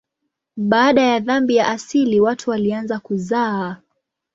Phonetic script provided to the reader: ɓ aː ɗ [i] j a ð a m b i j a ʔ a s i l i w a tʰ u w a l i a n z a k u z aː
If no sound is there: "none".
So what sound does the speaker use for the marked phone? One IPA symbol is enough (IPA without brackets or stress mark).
a